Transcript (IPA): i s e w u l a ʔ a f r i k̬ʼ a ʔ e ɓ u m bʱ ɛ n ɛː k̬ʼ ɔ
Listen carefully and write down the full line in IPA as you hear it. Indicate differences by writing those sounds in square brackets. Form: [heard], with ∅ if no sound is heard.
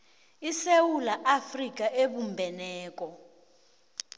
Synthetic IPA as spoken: i s e w u l a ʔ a f r i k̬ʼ a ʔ e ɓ u m bʱ ɛ n ɛː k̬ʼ ɔ